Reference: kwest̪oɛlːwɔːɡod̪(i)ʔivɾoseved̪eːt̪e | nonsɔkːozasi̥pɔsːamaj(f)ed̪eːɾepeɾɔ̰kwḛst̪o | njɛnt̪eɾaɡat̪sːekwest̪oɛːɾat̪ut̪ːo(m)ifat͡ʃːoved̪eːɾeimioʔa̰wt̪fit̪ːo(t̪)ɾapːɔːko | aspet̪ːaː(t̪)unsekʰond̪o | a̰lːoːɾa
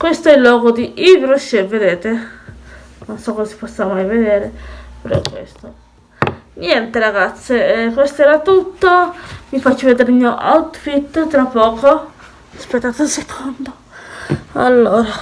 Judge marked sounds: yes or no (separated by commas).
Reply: yes, no, yes, yes, yes